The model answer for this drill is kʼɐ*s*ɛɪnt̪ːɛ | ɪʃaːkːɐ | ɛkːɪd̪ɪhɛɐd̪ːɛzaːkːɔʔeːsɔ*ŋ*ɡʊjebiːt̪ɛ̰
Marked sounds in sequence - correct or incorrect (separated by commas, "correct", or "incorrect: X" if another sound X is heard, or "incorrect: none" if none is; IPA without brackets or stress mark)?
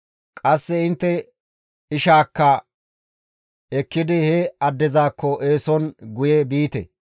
incorrect: sː, incorrect: n